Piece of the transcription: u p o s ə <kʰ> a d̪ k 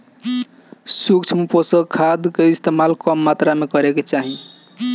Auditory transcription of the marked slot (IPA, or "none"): kʰ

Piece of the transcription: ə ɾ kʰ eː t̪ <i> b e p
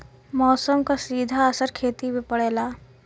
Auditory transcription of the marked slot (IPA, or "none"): i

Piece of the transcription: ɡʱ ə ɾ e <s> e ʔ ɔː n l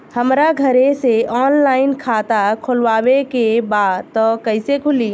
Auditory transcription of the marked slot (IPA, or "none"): s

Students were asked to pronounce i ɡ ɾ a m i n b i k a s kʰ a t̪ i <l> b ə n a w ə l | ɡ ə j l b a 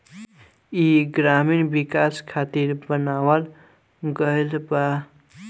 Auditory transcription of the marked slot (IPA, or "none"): ɾ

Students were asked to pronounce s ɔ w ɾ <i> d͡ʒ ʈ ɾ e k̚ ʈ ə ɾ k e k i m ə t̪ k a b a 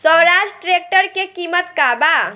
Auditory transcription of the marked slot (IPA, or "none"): a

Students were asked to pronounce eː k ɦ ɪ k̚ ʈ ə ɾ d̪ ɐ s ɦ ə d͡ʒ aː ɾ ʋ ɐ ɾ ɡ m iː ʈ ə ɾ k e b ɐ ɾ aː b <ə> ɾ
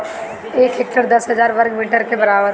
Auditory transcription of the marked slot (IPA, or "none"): ə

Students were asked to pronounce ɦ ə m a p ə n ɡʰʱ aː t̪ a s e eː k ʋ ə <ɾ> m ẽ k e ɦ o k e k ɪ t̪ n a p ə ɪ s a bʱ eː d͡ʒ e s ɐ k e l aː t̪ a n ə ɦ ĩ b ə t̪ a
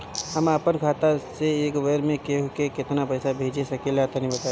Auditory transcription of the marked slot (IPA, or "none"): ɾ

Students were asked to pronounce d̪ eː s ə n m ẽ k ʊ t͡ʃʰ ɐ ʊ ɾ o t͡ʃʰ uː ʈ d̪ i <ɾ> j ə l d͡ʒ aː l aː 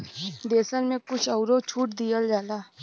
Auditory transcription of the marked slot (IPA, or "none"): none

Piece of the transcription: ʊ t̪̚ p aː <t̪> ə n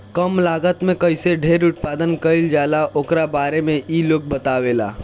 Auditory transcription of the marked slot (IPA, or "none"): d̪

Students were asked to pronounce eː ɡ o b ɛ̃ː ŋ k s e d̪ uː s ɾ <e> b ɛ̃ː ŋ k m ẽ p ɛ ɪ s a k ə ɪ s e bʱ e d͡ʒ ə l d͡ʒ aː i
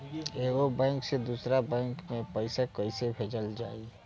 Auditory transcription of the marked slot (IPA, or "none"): a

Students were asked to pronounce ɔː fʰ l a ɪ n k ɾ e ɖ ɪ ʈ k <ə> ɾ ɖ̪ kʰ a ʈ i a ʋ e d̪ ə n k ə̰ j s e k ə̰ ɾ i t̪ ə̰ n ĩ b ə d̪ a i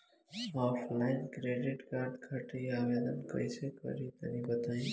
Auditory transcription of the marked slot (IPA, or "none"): a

